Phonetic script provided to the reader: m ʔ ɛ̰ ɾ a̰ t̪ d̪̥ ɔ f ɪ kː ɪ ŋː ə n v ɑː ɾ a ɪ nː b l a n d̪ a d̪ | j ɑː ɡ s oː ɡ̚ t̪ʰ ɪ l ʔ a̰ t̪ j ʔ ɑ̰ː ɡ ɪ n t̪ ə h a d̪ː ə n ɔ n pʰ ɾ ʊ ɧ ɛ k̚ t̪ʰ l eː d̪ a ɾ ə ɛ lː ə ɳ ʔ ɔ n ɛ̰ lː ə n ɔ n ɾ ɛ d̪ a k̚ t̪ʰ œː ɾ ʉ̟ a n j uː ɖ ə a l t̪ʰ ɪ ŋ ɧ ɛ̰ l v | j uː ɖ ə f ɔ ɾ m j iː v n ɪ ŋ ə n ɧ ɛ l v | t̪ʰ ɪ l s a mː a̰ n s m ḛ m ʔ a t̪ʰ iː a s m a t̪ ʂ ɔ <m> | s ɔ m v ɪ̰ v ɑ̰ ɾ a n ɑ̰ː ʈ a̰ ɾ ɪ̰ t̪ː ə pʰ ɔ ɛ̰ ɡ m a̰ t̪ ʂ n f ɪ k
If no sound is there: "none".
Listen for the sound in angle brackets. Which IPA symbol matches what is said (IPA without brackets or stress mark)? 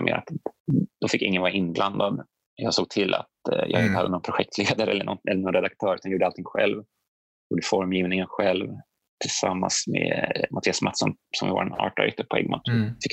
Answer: n